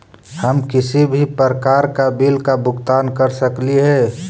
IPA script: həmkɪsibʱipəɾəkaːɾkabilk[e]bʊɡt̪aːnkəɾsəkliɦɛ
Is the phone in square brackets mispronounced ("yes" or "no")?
yes